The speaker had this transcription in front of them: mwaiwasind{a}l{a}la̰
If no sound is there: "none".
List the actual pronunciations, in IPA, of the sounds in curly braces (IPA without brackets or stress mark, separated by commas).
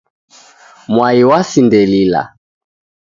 ɛ, i